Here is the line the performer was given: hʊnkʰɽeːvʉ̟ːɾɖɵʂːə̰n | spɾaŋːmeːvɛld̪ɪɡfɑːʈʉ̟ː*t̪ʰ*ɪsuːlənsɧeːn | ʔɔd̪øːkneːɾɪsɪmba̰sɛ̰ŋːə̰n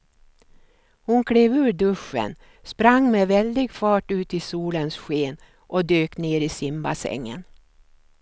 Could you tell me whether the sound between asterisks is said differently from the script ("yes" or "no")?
yes